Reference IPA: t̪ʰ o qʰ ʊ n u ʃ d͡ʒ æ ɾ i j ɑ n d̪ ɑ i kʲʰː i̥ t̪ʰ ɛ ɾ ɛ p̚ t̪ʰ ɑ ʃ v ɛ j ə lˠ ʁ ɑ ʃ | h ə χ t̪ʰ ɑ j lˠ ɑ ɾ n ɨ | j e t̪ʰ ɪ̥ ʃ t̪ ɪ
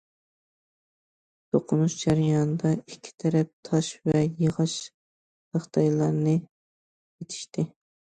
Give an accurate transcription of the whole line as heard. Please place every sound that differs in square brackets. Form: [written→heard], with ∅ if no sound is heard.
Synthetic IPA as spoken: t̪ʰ o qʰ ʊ n u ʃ d͡ʒ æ ɾ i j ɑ n d̪ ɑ i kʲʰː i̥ t̪ʰ ɛ ɾ ɛ p̚ t̪ʰ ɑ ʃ v ɛ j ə [lˠ→∅] ʁ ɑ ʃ | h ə χ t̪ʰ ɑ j lˠ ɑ ɾ n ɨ | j e t̪ʰ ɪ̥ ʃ t̪ ɪ